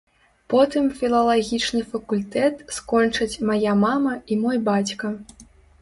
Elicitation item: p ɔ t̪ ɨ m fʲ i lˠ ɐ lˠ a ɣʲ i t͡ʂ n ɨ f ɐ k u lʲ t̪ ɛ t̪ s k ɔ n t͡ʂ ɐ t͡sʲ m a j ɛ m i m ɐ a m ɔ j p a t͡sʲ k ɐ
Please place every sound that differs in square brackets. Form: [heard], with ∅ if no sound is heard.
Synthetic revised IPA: p ɔ t̪ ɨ m fʲ i lˠ ɐ lˠ a ɣʲ i t͡ʂ n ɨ f ɐ k u lʲ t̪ ɛ t̪ s k ɔ n t͡ʂ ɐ t͡sʲ m a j [a] m [a] m ɐ [i] m ɔ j [b] a t͡sʲ k ɐ